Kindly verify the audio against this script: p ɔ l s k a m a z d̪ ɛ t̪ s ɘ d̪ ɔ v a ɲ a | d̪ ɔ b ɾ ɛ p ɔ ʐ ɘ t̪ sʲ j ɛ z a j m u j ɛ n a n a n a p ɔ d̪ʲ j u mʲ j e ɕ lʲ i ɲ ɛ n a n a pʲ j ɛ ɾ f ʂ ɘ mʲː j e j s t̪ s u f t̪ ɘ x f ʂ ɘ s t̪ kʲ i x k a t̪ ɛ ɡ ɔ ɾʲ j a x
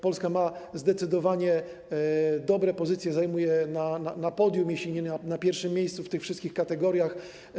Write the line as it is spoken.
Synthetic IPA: p ɔ l s k a m a z d̪ ɛ t̪ s ɘ d̪ ɔ v a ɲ ɛ | d̪ ɔ b ɾ ɛ p ɔ z ɘ t̪ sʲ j ɛ z a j m u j ɛ n a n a n a p ɔ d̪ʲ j u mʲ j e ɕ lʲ i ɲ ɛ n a n a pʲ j ɛ ɾ f ʂ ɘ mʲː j e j s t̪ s u f t̪ ɘ x f ʂ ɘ s t̪ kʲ i x k a t̪ ɛ ɡ ɔ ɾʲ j a x